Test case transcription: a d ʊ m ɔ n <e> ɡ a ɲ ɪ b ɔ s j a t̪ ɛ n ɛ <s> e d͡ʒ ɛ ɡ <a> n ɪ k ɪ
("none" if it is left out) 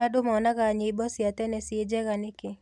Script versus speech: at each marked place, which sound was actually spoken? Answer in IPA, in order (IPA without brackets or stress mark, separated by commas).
a, s, a